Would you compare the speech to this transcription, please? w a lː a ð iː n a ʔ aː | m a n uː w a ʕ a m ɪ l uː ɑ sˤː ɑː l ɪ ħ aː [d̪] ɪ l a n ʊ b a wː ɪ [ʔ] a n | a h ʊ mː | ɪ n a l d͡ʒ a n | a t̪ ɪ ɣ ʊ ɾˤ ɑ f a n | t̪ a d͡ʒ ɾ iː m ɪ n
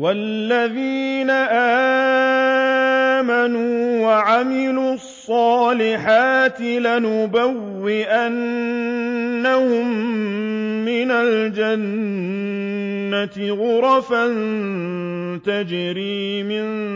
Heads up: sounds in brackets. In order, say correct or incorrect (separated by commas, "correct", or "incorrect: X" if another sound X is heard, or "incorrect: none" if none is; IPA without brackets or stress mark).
incorrect: t̪, correct